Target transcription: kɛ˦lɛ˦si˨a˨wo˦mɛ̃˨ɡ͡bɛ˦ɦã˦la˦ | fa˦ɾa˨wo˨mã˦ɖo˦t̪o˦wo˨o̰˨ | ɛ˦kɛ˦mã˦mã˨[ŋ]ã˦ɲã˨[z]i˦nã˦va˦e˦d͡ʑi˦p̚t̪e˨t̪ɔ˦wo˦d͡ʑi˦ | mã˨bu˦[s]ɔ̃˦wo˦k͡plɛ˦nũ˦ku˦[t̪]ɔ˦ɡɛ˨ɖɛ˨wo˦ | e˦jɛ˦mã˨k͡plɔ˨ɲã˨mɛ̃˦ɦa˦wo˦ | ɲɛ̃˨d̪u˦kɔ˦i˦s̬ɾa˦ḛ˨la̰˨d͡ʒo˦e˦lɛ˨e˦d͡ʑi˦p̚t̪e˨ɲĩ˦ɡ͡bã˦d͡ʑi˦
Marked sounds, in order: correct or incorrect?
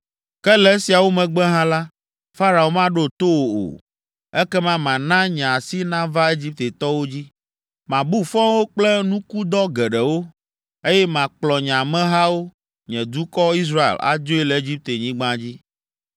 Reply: incorrect, incorrect, incorrect, incorrect

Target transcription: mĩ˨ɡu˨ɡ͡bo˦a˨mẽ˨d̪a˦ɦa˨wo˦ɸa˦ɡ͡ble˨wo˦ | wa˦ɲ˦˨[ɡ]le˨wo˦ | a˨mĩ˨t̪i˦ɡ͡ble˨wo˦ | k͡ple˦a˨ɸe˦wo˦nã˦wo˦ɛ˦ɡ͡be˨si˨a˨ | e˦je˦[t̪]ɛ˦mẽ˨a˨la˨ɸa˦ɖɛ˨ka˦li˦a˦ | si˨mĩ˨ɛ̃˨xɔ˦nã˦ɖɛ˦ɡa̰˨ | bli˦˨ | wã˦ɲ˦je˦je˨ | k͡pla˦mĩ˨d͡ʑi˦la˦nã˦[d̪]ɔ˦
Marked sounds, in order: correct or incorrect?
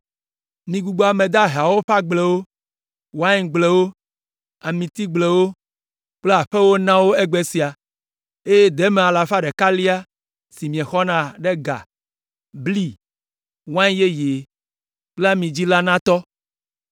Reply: incorrect, incorrect, incorrect

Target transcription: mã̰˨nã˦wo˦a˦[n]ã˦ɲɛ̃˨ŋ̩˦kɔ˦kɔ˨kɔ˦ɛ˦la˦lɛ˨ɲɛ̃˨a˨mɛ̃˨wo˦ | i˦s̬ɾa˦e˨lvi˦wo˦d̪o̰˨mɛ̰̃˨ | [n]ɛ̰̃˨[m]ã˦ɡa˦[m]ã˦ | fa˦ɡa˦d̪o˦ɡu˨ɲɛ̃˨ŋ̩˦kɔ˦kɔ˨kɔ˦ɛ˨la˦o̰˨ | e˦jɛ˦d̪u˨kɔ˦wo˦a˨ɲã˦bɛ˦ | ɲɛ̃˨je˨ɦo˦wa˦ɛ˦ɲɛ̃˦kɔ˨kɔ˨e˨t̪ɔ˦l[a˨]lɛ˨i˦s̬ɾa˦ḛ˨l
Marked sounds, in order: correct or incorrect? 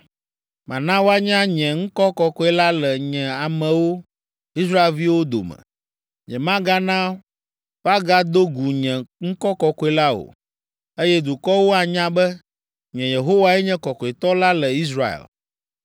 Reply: incorrect, incorrect, correct, incorrect, incorrect

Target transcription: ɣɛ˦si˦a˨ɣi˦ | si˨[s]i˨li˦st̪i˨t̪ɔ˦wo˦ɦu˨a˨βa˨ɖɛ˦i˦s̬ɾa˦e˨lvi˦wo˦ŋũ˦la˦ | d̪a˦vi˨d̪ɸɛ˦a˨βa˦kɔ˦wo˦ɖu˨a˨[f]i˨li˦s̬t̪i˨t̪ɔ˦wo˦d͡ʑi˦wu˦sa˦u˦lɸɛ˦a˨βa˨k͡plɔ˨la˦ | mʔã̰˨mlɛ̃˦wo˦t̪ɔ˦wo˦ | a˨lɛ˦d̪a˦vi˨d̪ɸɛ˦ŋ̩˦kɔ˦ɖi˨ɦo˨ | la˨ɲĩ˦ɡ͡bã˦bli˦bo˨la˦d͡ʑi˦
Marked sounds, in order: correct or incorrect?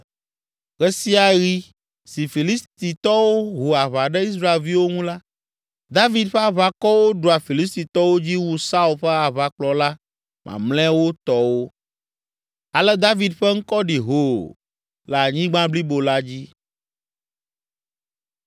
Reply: incorrect, correct

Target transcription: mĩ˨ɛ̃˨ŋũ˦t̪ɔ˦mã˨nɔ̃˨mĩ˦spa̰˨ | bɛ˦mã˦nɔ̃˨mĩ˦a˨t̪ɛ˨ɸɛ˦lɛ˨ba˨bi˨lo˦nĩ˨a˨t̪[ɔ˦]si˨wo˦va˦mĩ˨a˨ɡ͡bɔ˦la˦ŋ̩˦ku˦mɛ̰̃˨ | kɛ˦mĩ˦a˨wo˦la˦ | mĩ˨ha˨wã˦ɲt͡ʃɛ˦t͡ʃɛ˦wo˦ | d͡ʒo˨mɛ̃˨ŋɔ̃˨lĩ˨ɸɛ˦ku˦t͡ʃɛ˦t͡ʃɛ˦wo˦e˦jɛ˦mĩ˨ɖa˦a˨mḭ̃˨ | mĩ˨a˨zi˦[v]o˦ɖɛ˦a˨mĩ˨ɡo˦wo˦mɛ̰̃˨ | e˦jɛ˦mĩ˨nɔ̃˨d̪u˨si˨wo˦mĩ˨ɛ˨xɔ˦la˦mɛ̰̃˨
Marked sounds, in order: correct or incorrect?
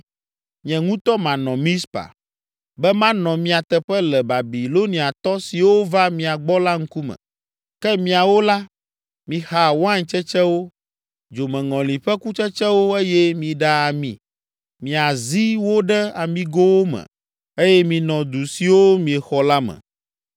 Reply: correct, incorrect

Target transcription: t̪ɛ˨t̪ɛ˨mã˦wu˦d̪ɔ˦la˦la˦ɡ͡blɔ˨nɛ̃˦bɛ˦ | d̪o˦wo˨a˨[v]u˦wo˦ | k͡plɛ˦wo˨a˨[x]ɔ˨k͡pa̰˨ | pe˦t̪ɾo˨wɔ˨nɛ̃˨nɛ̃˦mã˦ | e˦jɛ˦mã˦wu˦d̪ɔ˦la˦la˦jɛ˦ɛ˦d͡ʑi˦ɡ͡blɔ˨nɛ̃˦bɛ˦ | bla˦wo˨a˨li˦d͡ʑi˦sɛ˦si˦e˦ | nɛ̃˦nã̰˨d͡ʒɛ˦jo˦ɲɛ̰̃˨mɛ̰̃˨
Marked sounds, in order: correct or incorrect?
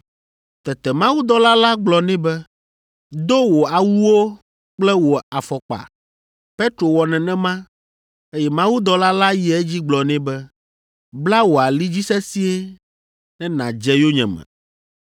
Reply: incorrect, incorrect

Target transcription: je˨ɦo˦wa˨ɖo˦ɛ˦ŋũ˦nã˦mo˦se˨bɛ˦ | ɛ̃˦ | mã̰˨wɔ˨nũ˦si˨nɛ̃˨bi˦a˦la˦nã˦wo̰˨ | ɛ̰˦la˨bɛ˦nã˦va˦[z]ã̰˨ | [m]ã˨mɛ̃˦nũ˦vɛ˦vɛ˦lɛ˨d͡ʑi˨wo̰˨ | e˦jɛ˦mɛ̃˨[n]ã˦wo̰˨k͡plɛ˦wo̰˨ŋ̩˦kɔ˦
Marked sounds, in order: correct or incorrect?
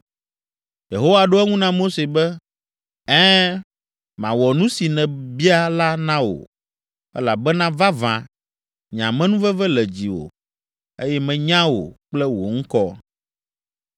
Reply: incorrect, incorrect, incorrect

